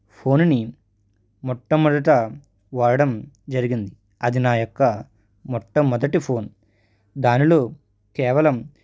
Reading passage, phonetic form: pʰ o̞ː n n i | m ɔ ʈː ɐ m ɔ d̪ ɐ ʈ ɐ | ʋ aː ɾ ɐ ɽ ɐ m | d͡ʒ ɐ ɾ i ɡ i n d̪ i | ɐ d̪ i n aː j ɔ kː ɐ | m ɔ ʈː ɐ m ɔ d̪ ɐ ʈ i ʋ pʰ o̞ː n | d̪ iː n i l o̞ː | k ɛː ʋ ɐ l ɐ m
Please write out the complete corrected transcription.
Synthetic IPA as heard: pʰ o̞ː n n i | m ɔ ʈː ɐ m ɔ d̪ ɐ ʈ ɐ | ʋ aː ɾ ɐ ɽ ɐ m | d͡ʒ ɐ ɾ i ɡ i n d̪ i | ɐ d̪ i n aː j ɔ kː ɐ | m ɔ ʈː ɐ m ɔ d̪ ɐ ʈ i pʰ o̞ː n | d̪ aː n i l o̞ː | k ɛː ʋ ɐ l ɐ m